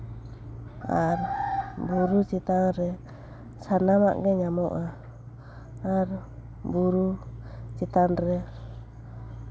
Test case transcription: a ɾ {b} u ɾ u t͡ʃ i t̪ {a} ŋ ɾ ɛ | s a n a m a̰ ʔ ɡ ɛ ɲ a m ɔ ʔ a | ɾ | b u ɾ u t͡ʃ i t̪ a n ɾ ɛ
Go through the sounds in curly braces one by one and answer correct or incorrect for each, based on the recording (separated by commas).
correct, correct